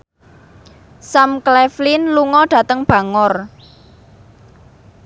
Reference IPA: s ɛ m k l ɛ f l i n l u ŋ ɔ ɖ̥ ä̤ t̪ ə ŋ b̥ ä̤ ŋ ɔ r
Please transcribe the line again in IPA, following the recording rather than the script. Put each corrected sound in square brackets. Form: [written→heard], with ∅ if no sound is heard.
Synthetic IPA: s [ɛ→a] m k l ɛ f l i n l u ŋ ɔ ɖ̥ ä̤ t̪ ə ŋ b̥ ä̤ ŋ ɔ r